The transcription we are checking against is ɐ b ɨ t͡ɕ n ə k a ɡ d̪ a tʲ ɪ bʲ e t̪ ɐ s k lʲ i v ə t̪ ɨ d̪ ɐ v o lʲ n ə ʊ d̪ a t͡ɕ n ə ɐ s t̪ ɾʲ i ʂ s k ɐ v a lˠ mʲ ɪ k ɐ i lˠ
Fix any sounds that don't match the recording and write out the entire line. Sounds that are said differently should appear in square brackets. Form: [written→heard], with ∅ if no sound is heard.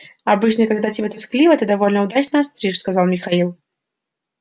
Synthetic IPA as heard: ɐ b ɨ t͡ɕ n ə k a ɡ d̪ a tʲ ɪ bʲ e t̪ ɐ s k lʲ i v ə t̪ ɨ d̪ ɐ v o lʲ n ə ʊ d̪ a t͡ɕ n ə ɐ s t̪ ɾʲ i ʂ s k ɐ [v→z] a lˠ mʲ ɪ [k→x] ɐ i lˠ

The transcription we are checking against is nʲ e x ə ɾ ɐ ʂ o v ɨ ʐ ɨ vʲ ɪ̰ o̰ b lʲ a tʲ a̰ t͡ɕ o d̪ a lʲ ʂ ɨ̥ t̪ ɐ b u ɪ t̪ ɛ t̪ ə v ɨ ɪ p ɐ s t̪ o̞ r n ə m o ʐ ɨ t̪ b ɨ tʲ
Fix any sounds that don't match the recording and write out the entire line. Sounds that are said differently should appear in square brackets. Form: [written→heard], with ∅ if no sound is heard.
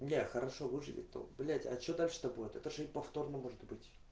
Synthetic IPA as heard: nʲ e x ə ɾ ɐ ʂ o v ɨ ʐ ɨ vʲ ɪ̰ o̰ b lʲ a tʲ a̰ t͡ɕ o d̪ a lʲ ʂ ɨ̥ t̪ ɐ b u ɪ t̪ ɛ t̪ ə [v→ʐ] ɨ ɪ p ɐ [s→f] t̪ o̞ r n ə m o ʐ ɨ t̪ b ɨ tʲ

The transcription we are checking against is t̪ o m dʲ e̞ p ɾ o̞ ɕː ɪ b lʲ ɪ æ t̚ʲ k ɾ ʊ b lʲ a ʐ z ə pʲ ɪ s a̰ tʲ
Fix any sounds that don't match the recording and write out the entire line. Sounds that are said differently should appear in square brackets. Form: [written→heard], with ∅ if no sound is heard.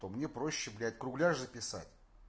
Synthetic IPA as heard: t̪ o m [dʲ→nʲ] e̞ p ɾ o̞ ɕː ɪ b lʲ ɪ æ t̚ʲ k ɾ ʊ [b→ɡ] lʲ a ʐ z ə pʲ ɪ s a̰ tʲ

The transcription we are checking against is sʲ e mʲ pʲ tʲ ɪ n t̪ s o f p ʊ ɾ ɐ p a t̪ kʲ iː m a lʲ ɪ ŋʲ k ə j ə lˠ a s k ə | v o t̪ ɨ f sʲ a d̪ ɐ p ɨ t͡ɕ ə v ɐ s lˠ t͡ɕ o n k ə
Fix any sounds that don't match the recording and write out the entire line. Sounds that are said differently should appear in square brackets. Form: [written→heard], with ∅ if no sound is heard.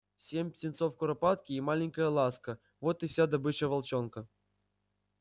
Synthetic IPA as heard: sʲ e mʲ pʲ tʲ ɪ n t̪ s o f [p→k] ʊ ɾ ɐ p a t̪ kʲ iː m a lʲ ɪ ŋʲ k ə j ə lˠ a s k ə | v o t̪ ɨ f sʲ a d̪ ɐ [p→b] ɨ t͡ɕ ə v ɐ [s→∅] lˠ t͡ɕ o n k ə

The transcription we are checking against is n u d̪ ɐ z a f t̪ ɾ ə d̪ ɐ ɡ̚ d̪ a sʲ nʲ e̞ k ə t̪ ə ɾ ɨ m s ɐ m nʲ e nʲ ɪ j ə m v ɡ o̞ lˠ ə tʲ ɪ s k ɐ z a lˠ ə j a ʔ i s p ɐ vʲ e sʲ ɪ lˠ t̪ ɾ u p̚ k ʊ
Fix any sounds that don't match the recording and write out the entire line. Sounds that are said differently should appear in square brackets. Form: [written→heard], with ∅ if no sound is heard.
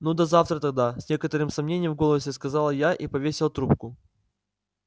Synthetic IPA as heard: n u d̪ ɐ z a f t̪ ɾ ə [d̪→t̪] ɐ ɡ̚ d̪ a sʲ nʲ e̞ k ə t̪ ə ɾ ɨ m s ɐ m nʲ e nʲ ɪ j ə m v ɡ o̞ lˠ ə [tʲ→sʲ] ɪ s k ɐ z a lˠ ə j a ʔ i [s→∅] p ɐ vʲ e sʲ ɪ lˠ t̪ ɾ u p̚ k ʊ

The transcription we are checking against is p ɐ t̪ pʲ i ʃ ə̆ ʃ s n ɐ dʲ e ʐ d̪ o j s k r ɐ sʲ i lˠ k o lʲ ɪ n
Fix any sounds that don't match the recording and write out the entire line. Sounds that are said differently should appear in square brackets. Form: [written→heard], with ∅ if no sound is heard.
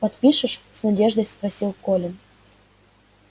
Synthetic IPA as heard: p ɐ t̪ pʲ i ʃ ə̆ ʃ s n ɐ dʲ e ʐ d̪ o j s [k→p] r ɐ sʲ i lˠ k o lʲ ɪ n

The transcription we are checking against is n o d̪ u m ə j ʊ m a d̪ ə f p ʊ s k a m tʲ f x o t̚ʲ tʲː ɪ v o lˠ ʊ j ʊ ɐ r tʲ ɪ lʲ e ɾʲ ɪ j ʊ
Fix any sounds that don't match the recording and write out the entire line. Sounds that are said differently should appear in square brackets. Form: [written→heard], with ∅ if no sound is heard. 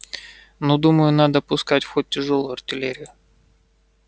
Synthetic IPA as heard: n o d̪ u m ə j ʊ [m→n] a d̪ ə [f→∅] p ʊ s k a [m→∅] tʲ f x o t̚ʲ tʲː ɪ [v→ʐ] o lˠ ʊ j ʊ ɐ r tʲ ɪ lʲ e ɾʲ ɪ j ʊ

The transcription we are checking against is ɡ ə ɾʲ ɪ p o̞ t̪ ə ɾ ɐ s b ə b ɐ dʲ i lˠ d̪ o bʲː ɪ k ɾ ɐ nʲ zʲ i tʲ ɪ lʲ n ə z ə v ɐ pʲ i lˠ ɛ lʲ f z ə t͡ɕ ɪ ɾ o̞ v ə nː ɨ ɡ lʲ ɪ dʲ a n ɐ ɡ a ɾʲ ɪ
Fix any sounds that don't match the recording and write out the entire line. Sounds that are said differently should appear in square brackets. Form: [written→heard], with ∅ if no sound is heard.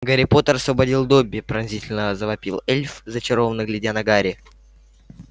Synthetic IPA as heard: ɡ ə ɾʲ ɪ p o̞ t̪ ə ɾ ɐ s [b→v] ə b ɐ dʲ i lˠ d̪ o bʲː ɪ [k→p] ɾ ɐ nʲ zʲ i tʲ ɪ lʲ n ə z ə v ɐ pʲ i lˠ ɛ lʲ f z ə t͡ɕ ɪ ɾ o̞ v ə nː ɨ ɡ lʲ ɪ dʲ a n ɐ ɡ a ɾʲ ɪ

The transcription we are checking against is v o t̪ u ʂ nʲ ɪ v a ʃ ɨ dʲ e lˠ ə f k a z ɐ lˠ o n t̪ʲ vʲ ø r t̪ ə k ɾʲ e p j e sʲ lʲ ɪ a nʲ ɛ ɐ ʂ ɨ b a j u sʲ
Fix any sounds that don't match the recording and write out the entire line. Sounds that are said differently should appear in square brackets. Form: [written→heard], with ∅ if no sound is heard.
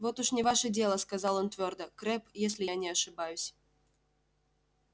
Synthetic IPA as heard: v o t̪ u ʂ nʲ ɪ v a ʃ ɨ dʲ e lˠ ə [f→s] k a z [ɐ→ɑ] lˠ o n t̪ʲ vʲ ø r [t̪→d̪] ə k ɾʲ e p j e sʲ lʲ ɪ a nʲ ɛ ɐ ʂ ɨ b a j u sʲ

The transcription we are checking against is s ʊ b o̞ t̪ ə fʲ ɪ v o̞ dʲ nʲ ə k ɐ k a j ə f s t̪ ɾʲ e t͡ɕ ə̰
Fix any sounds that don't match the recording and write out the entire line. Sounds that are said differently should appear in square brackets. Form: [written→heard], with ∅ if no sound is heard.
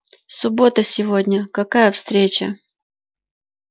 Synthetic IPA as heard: s ʊ b o̞ t̪ ə [fʲ→sʲ] ɪ v o̞ dʲ nʲ ə k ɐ k a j ə f s t̪ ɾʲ e t͡ɕ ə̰

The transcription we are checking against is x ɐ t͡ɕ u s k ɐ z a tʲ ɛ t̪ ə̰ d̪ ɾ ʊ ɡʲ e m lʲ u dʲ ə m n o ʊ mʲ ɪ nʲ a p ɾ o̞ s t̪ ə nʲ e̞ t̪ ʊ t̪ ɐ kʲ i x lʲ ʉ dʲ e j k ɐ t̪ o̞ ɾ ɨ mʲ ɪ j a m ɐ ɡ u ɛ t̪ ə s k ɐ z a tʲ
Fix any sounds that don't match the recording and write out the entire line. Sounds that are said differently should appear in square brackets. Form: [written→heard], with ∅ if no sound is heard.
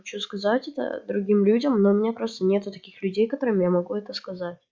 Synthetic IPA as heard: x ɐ t͡ɕ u s k ɐ z a tʲ ɛ t̪ ə̰ d̪ ɾ ʊ ɡʲ [e→i] m lʲ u dʲ ə m n o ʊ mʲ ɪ nʲ a p ɾ o̞ s t̪ ə nʲ e̞ t̪ ʊ t̪ ɐ kʲ i x lʲ ʉ dʲ e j k ɐ t̪ o̞ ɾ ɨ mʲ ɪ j a m ɐ ɡ u ɛ t̪ ə s k ɐ z a tʲ

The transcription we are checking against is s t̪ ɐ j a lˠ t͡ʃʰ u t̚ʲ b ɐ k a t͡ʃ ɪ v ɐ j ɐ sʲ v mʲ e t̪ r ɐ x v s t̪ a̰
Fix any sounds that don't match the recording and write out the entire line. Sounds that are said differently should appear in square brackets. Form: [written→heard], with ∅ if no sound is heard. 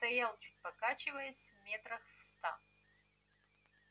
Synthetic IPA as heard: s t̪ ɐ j a lˠ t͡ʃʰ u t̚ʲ [b→p] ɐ k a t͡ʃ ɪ v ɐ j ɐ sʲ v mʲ e t̪ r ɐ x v s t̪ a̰

